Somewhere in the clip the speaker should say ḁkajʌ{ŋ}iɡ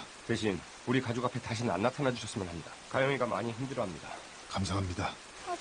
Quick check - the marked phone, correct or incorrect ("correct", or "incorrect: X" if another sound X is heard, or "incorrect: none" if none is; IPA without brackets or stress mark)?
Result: correct